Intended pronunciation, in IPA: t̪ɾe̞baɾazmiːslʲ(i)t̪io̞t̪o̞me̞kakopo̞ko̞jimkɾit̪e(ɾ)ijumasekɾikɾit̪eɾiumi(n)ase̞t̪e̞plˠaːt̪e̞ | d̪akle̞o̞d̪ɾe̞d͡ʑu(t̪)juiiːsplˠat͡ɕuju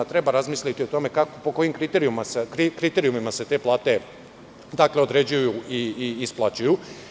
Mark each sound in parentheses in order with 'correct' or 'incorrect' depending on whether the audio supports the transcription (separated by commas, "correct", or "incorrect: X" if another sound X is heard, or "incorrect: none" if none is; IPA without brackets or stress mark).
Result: correct, correct, incorrect: m, incorrect: none